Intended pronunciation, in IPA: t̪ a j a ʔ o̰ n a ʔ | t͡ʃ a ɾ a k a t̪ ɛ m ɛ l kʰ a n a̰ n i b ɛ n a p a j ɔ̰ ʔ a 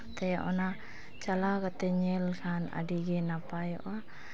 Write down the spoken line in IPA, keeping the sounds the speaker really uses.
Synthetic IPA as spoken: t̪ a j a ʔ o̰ n a | t͡ʃ a l a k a t̪ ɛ ɲ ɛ l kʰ a n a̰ d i ɡ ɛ n a p a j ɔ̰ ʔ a